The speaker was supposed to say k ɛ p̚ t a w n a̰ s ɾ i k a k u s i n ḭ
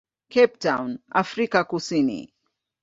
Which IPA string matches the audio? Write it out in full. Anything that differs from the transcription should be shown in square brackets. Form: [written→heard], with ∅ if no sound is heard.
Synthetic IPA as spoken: k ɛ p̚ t a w n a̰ [s→f] ɾ i k a k u s i n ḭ